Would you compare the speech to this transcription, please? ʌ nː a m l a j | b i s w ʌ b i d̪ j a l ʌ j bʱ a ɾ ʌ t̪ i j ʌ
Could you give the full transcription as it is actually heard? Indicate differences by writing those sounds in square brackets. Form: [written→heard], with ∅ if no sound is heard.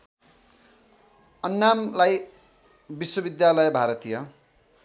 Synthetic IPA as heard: ʌ nː a m l a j | b i s w ʌ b i d̪ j a l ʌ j bʱ a ɾ ʌ t̪ i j ʌ